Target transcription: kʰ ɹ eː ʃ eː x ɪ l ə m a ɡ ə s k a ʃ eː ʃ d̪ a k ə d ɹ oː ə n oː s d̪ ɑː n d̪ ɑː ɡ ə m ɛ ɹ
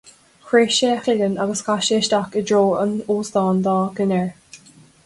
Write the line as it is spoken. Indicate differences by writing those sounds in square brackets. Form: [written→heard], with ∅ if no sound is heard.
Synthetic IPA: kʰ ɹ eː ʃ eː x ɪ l ə [m→n] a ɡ ə s k a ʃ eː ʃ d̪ a k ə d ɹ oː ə n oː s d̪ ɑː n d̪ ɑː ɡ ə [m→n] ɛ ɹ